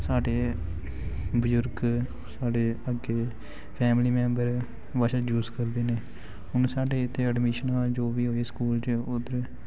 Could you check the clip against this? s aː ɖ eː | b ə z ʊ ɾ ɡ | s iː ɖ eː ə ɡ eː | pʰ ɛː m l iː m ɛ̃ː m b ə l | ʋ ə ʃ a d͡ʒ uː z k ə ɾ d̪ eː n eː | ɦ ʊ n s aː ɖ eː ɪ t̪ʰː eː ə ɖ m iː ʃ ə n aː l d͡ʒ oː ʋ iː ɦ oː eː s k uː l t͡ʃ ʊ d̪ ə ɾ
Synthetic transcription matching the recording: s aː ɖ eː | b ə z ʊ ɾ ɡ | s aː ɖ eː ə ɡ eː | pʰ ɛː m l iː m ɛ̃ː m b ə ɾ | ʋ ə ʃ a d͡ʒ uː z k ə ɾ d̪ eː n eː | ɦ ʊ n s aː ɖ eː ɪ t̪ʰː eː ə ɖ m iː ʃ ə n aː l d͡ʒ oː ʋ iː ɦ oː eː s k uː l t͡ʃ ʊ d̪ ə ɾ